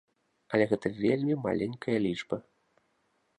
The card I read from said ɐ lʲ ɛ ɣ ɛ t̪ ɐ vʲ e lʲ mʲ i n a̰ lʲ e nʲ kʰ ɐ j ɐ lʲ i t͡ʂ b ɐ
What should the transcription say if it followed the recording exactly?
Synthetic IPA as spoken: ɐ lʲ ɛ ɣ ɛ t̪ ɐ vʲ e lʲ mʲ i m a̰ lʲ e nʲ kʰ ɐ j ɐ lʲ i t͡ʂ b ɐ